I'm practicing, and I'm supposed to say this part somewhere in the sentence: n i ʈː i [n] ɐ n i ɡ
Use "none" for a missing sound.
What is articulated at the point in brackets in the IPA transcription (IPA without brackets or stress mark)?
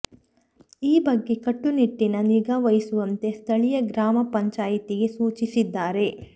n